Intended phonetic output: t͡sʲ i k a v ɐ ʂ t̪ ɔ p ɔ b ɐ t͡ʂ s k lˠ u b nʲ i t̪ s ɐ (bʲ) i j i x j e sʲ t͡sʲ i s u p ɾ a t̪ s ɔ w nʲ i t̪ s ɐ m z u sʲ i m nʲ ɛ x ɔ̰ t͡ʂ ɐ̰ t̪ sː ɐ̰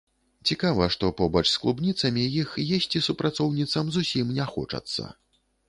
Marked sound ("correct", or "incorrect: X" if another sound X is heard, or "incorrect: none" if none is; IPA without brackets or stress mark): incorrect: mʲ